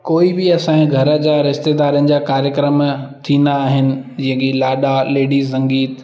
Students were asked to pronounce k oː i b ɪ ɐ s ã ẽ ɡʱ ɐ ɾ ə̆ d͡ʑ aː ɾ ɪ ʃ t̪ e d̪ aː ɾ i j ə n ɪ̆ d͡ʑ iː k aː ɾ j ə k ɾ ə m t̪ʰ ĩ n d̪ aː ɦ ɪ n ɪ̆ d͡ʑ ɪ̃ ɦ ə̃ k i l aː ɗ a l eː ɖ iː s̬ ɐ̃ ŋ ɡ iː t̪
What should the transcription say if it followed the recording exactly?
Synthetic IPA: k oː i b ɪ ɐ s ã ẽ ɡʱ ɐ ɾ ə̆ d͡ʑ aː ɾ ɪ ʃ t̪ e d̪ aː ɾ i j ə n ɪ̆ d͡ʑ aː k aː ɾ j ə k ɾ ə m t̪ʰ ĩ n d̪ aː ɦ ɪ n ɪ̆ d͡ʑ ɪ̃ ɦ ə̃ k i l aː ɗ a l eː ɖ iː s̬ ɐ̃ ŋ ɡ iː t̪

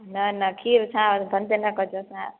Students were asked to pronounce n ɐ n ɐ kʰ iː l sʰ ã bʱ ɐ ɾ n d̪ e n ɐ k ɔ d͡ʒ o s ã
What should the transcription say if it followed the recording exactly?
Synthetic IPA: n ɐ n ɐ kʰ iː ɾ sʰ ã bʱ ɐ n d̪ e n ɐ k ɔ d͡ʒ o s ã

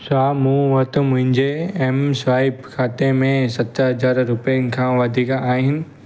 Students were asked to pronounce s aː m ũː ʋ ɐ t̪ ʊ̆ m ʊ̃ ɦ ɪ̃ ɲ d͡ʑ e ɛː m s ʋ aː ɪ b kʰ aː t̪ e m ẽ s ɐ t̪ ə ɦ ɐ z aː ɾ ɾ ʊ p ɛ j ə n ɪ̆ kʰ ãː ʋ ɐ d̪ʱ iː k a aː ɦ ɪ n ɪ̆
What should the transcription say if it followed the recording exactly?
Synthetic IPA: s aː m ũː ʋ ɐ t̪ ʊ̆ m ʊ̃ ɦ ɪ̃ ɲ d͡ʑ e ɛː m s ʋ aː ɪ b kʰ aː t̪ e m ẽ s ɐ t̪ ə ɦ ɐ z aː ɾ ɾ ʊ p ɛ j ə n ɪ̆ kʰ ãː ʋ ɐ d̪ʱ iː k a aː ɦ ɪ n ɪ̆

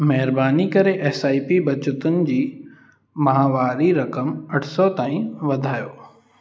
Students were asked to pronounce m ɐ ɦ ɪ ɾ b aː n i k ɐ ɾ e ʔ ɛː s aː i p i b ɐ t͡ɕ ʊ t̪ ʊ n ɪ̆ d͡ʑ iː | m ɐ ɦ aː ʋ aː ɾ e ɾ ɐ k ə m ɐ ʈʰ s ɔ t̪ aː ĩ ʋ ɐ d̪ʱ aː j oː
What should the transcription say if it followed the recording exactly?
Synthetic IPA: m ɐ ɦ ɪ ɾ b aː n i k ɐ ɾ e ʔ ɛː s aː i p i b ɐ t͡ɕ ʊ t̪ ʊ n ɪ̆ d͡ʑ iː | m ɐ ɦ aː ʋ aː ɾ i ɾ ɐ k ə m ɐ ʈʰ s ɔ t̪ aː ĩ ʋ ɐ d̪ʱ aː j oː

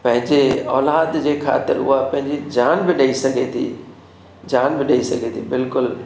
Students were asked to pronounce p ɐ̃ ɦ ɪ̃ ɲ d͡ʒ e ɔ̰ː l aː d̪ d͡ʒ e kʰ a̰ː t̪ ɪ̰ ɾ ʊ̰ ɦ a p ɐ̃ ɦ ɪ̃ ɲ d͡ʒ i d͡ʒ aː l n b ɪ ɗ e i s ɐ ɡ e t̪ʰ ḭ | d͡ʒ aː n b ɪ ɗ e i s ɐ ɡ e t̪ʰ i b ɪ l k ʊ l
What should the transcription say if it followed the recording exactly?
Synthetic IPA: p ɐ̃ ɦ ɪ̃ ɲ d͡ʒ e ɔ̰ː l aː d̪ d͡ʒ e kʰ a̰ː t̪ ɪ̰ ɾ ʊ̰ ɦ a p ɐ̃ ɦ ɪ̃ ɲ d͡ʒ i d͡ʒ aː n b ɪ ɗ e i s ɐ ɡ e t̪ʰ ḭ | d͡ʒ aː n b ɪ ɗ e i s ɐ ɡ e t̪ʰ i b ɪ l k ʊ l

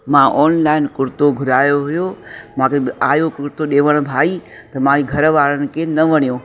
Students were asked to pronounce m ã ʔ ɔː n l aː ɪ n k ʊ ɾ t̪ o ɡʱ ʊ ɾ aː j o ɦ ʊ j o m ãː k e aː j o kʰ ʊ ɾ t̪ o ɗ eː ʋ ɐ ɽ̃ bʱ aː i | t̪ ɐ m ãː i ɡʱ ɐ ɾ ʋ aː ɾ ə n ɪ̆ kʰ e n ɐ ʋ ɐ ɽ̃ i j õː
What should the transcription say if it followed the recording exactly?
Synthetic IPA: m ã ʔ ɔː n l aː ɪ n k ʊ ɾ t̪ o ɡʱ ʊ ɾ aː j o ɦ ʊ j o m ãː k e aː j o k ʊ ɾ t̪ o ɗ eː ʋ ə ɽ̃ bʱ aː i | t̪ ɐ m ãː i ɡʱ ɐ ɾ ʋ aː ɾ ə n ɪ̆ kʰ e n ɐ ʋ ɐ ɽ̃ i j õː

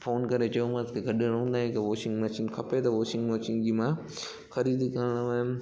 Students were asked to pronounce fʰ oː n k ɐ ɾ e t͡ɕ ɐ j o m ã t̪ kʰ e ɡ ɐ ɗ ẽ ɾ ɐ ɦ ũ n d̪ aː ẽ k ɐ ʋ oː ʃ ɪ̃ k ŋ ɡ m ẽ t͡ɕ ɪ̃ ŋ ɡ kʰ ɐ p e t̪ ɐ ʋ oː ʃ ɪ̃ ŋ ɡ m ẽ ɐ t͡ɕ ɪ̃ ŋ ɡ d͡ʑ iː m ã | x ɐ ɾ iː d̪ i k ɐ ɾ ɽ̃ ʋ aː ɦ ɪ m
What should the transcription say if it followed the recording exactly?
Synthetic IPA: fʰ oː n k ɐ ɾ e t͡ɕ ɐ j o m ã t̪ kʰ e ɡ ɐ ɗ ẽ ɾ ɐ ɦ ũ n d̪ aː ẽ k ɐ ʋ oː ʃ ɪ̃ ŋ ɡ m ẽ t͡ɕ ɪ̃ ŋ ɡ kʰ ɐ p e t̪ ɐ ʋ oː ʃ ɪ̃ ŋ ɡ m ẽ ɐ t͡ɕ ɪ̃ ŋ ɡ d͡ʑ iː m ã | x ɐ ɾ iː d̪ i k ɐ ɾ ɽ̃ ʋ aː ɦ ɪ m

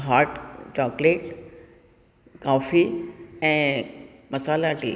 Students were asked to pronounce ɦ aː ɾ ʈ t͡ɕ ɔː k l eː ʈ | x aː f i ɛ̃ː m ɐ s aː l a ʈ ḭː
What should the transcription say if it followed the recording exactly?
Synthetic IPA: ɦ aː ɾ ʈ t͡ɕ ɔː k l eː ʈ | k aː f i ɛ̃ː m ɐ s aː l a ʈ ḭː

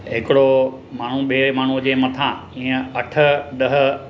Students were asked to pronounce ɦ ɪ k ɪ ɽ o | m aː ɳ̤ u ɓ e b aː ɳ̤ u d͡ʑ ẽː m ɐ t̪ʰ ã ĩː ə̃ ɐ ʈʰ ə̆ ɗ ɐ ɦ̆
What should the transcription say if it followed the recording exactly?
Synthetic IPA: ɦ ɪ k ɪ ɽ o | m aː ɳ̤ u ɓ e m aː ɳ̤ u d͡ʑ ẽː m ɐ t̪ʰ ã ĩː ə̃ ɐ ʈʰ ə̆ ɗ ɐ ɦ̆

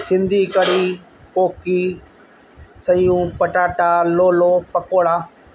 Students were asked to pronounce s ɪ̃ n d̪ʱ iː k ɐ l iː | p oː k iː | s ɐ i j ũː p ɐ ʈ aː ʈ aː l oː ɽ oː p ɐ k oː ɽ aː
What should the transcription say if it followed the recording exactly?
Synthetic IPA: s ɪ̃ n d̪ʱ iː k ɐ ɽ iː | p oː k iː | s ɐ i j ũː p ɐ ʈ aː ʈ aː l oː l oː p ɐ k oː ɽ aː

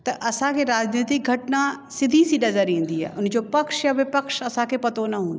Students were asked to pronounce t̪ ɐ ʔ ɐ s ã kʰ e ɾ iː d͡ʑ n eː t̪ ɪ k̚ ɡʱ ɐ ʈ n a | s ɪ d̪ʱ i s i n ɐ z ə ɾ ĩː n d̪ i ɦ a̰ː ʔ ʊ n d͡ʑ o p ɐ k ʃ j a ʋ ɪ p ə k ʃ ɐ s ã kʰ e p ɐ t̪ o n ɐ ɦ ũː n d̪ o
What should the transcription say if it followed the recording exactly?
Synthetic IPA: t̪ ɐ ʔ ɐ s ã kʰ e ɾ aː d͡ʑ n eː t̪ ɪ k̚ ɡʱ ɐ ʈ n a | s ɪ d̪ʱ i s i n ɐ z ə ɾ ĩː n d̪ i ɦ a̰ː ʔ ʊ n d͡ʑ o p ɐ k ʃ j a ʋ ɪ p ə k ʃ ɐ s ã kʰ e p ɐ t̪ o n ɐ ɦ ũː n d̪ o

